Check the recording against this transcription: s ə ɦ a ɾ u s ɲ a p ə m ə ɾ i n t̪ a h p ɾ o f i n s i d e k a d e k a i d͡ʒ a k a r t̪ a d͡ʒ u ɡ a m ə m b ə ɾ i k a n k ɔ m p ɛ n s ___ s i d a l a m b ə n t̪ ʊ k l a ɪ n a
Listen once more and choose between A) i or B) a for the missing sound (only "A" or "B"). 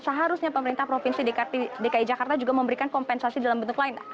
B